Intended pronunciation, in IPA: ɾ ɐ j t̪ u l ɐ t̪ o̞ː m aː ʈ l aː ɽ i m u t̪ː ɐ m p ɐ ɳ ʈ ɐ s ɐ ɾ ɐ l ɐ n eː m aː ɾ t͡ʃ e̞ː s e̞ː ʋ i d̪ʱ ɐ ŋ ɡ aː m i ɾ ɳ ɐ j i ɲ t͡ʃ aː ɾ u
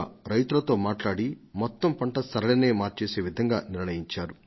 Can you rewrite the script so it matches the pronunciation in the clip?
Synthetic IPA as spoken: ɾ ɐ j t̪ u l ɐ t̪ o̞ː m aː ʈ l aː ɽ i m ɔ t̪ː ɐ m p ɐ ɳ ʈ ɐ s ɐ ɾ ɐ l ɐ n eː m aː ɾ t͡ʃ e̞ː s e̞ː ʋ i d̪ʱ ɐ ŋ ɡ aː n i ɾ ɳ ɐ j i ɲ t͡ʃ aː ɾ u